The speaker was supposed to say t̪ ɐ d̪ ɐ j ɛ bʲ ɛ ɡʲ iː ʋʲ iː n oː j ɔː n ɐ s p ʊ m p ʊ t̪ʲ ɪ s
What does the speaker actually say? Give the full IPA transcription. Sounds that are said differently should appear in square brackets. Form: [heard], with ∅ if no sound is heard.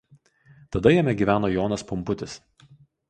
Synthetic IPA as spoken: t̪ ɐ d̪ ɐ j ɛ [mʲ] ɛ ɡʲ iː ʋʲ [æː] n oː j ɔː n ɐ s p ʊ m p ʊ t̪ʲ ɪ s

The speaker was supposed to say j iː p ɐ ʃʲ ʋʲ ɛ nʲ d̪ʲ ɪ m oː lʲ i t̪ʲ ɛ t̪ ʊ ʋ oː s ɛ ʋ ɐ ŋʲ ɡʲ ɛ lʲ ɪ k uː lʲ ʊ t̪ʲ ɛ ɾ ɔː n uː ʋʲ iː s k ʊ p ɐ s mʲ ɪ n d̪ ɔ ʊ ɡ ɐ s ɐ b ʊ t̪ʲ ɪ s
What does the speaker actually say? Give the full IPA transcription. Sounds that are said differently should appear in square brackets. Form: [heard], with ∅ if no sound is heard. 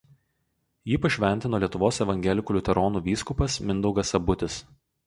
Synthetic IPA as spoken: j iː p ɐ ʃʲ ʋʲ ɛ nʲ [t̪ʲ] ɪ [n] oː lʲ i [∅] ɛ t̪ ʊ ʋ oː s ɛ ʋ ɐ ŋʲ ɡʲ ɛ lʲ ɪ k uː lʲ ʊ t̪ʲ ɛ ɾ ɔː n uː ʋʲ iː s k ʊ p ɐ s mʲ ɪ n d̪ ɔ ʊ ɡ ɐ s ɐ b ʊ t̪ʲ ɪ s

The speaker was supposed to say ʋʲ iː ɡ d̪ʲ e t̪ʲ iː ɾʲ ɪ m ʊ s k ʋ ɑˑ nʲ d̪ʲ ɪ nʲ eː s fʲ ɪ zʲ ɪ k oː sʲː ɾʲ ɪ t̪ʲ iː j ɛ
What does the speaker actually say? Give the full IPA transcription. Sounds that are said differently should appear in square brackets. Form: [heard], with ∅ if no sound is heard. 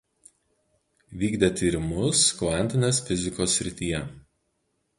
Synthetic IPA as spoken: ʋʲ iː ɡ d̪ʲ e t̪ʲ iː ɾʲ ɪ m ʊ s k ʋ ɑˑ nʲ [t̪ʲ] ɪ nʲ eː s fʲ ɪ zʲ ɪ k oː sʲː ɾʲ ɪ t̪ʲ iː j ɛ

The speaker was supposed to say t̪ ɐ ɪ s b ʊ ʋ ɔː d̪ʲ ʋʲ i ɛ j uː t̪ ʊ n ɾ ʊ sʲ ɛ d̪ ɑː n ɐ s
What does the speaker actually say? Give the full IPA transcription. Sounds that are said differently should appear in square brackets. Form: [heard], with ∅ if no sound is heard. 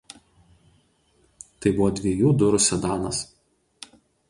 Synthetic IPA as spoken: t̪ ɐ ɪ [∅] b ʊ ʋ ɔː d̪ʲ ʋʲ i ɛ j uː [d̪] ʊ [∅] ɾ ʊ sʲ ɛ d̪ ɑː n ɐ s

